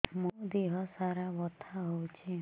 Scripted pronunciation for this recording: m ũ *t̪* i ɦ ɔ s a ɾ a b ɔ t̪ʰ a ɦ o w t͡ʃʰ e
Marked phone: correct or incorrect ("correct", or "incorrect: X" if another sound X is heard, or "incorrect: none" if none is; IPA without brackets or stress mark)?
incorrect: d̪